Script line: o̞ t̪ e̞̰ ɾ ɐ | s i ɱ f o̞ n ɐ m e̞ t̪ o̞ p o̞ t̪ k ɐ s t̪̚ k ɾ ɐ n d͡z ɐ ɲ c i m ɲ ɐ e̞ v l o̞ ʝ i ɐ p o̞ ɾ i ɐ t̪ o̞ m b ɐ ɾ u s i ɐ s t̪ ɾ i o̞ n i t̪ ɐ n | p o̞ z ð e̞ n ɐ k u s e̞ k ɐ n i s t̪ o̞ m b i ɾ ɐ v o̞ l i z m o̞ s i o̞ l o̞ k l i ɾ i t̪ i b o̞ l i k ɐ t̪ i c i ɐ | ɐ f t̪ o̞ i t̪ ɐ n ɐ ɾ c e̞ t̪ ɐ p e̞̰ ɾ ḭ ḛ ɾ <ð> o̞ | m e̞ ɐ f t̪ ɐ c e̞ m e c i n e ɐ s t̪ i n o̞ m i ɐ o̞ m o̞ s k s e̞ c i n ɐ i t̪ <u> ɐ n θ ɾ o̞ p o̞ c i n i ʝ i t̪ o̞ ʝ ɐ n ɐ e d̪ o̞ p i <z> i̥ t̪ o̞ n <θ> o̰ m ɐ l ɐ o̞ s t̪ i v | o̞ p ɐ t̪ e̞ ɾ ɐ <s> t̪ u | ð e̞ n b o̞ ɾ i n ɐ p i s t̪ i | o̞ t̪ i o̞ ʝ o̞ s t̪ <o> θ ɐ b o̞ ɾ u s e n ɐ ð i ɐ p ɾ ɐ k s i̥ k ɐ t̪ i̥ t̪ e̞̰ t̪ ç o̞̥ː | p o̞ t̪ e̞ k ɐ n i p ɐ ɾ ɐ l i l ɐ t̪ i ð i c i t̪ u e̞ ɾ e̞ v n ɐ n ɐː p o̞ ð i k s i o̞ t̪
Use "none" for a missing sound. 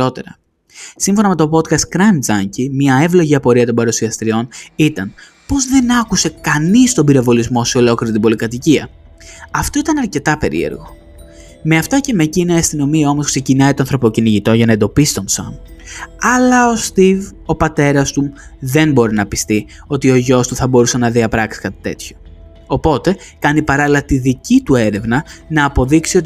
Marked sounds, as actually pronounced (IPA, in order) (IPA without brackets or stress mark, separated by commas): ɣ, o, s, s, s, u